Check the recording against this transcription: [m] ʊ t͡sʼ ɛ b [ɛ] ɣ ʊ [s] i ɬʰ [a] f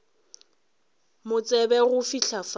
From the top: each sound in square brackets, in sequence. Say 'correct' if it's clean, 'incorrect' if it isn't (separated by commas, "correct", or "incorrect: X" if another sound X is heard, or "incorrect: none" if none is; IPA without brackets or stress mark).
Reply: correct, correct, incorrect: f, correct